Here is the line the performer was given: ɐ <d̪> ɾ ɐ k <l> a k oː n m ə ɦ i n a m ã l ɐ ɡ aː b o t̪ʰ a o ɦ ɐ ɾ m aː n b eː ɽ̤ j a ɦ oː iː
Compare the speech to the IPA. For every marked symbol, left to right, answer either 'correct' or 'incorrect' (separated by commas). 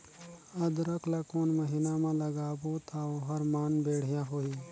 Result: correct, correct